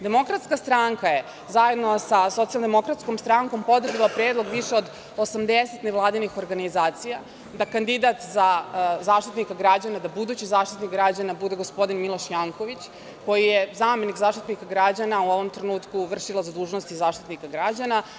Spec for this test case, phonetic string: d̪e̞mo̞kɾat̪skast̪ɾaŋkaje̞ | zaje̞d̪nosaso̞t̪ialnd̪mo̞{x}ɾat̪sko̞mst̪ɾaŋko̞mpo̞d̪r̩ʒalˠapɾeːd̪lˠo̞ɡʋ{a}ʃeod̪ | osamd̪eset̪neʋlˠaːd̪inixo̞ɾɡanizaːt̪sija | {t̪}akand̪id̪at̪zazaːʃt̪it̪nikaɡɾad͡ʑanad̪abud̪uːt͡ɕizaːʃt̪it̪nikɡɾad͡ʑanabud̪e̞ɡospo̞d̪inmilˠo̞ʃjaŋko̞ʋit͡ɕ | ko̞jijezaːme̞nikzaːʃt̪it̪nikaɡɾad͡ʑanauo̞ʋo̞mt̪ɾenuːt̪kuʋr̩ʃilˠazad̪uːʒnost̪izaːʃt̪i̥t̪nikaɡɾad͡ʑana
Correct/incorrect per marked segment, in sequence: incorrect: k, incorrect: i, incorrect: d̪

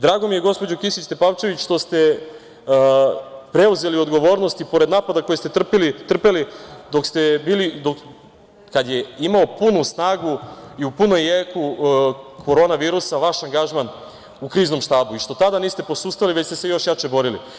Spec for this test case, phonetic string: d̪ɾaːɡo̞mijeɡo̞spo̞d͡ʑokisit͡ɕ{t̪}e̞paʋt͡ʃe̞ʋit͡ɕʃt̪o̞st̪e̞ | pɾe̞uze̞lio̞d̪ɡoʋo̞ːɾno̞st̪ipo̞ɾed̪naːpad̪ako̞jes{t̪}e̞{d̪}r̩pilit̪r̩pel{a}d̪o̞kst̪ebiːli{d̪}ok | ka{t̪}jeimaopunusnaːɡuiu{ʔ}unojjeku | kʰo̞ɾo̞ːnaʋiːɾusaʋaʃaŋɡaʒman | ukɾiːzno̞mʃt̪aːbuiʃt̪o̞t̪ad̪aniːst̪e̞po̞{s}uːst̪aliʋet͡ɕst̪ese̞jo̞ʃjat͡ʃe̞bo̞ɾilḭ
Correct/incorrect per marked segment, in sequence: correct, correct, incorrect: t̪, incorrect: i, correct, incorrect: d̪, incorrect: p, correct

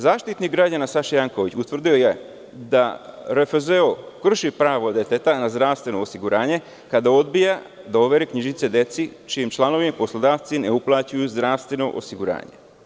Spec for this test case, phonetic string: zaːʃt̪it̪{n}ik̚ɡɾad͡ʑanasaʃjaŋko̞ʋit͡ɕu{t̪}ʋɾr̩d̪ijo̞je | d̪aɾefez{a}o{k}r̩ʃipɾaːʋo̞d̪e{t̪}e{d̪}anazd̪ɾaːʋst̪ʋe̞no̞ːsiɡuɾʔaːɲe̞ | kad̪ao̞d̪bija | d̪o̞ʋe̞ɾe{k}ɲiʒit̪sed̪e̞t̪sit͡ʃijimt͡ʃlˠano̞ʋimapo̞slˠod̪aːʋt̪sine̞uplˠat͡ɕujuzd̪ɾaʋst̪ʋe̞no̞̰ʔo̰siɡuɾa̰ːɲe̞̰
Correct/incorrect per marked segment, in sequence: correct, correct, incorrect: e, correct, correct, incorrect: t̪, correct

